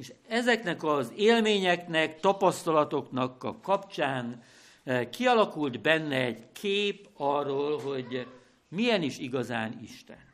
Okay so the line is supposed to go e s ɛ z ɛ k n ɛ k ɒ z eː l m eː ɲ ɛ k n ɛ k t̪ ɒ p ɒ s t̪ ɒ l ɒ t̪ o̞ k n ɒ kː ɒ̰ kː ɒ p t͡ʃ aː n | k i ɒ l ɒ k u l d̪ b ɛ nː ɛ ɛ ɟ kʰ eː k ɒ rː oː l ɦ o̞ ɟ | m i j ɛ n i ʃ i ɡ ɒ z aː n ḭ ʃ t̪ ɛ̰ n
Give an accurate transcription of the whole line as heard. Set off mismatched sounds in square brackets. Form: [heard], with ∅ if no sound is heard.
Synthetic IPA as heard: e [ʃ] ɛ z ɛ k n ɛ k ɒ z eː l m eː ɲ ɛ k n ɛ k t̪ ɒ p ɒ s t̪ ɒ l ɒ t̪ o̞ k n ɒ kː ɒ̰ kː ɒ p t͡ʃ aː n | k i ɒ l ɒ k u l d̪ b ɛ nː ɛ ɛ ɟ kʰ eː [p] ɒ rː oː l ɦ o̞ ɟ | m i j ɛ n i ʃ i ɡ ɒ z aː n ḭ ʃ t̪ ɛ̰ n